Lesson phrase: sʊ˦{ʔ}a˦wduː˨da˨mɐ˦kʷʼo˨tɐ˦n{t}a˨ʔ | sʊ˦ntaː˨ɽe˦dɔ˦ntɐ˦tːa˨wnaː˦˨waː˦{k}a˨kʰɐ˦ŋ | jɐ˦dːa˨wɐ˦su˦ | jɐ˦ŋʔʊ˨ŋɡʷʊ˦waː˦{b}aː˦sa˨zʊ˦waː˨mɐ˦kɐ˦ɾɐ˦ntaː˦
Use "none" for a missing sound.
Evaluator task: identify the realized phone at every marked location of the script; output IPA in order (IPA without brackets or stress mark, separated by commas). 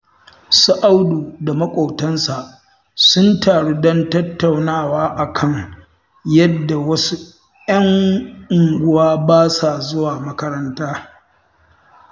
ʔ, s, ʔ, b